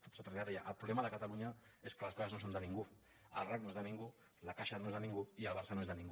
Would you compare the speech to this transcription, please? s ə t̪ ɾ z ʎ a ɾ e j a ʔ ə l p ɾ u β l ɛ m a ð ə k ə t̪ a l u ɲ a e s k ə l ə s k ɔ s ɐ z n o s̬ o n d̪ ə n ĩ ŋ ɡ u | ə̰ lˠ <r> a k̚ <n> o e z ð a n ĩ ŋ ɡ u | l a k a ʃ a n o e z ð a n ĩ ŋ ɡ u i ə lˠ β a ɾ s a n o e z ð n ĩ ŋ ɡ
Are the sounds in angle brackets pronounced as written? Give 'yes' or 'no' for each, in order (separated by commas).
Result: yes, yes